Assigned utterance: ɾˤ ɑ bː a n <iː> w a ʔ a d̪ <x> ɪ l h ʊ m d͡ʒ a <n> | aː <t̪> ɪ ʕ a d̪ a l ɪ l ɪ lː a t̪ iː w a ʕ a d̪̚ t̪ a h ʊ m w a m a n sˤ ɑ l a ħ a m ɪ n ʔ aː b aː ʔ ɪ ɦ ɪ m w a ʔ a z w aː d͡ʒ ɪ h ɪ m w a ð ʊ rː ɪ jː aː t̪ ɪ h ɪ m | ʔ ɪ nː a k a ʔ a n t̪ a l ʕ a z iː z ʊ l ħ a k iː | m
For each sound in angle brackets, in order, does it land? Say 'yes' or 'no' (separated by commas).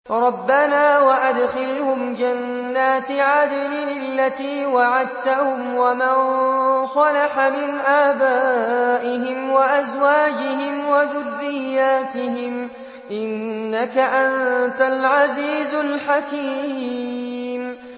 no, yes, no, yes